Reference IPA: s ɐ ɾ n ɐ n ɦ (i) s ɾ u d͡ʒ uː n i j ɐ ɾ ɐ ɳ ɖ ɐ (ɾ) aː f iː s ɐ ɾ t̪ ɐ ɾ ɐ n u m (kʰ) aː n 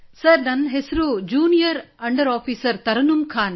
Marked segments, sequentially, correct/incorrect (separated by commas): incorrect, correct, correct